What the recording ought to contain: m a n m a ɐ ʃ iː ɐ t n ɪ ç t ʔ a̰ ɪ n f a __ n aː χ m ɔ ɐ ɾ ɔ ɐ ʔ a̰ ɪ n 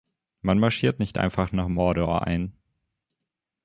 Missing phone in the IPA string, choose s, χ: χ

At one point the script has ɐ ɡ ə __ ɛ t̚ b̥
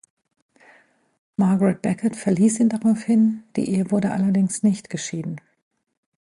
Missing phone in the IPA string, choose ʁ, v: ʁ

